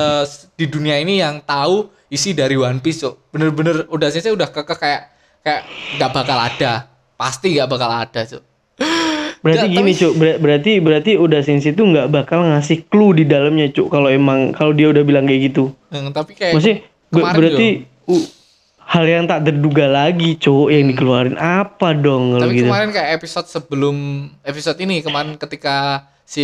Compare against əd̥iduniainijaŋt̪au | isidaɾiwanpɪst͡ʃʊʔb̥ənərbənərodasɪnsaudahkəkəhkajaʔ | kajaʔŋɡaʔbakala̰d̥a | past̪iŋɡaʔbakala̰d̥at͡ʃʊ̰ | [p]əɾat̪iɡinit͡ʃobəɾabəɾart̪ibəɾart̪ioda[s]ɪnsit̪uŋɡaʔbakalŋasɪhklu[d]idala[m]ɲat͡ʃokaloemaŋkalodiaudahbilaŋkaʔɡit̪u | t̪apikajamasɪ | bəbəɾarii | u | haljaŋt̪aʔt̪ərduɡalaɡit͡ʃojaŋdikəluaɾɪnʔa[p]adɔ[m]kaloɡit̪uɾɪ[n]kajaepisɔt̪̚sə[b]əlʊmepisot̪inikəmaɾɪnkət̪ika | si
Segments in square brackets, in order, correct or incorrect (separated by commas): incorrect, correct, correct, correct, correct, incorrect, correct, correct